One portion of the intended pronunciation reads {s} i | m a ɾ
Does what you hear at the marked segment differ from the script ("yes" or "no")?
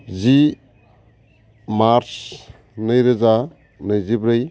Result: yes